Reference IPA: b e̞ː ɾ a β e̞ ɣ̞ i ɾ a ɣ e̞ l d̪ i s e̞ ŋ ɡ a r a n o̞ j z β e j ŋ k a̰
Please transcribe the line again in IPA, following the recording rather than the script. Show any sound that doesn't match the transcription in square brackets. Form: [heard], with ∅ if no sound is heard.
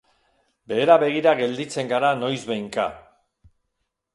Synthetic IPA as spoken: b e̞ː ɾ a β e̞ ɣ̞ i ɾ a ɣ e̞ l d̪ i [t͡s] e̞ ŋ ɡ a [ɾ] a n o̞ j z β e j ŋ k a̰